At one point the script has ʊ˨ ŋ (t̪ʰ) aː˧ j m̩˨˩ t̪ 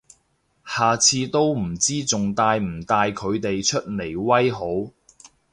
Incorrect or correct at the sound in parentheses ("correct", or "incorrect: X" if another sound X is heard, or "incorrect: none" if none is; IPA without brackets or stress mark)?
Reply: incorrect: t̪